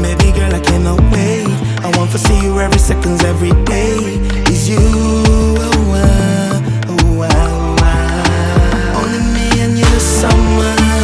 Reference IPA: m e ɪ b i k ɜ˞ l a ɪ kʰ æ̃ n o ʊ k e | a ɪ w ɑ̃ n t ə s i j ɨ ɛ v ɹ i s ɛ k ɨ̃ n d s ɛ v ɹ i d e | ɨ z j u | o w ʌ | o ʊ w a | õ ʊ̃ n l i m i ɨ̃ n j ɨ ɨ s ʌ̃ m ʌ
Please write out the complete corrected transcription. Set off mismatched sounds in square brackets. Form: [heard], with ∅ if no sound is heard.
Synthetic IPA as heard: m e ɪ b i [ɡ] ɜ˞ l a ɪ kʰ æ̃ n o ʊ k e | a ɪ w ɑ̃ n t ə s i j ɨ ɛ v ɹ i s ɛ k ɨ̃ n d [z] ɛ v ɹ i d e | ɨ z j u | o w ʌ | o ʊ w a | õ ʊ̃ n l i m i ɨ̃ n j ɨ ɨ s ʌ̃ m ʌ